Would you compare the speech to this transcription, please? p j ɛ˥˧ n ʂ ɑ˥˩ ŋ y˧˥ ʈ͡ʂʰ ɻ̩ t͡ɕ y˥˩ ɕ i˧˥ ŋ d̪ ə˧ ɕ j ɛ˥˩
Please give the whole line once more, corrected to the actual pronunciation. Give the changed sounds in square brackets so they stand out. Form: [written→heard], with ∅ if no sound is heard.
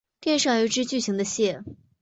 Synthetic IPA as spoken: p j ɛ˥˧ n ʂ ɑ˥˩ ŋ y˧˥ [ʈ͡ʂʰ→ʈ͡ʂ] ɻ̩ t͡ɕ y˥˩ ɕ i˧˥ ŋ d̪ ə˧ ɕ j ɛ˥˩